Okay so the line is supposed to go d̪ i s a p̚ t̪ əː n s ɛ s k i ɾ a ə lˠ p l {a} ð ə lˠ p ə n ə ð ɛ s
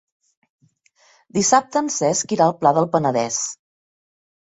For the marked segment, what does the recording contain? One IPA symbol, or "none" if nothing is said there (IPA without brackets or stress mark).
a